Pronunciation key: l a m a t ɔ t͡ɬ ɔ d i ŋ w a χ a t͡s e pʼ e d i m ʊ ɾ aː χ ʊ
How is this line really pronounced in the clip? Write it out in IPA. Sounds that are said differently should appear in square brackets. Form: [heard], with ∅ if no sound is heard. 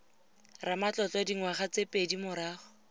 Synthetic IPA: [r] a m a [t͡ɬ] ɔ t͡ɬ ɔ d i ŋ w a χ a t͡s e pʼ e d i m ʊ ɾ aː χ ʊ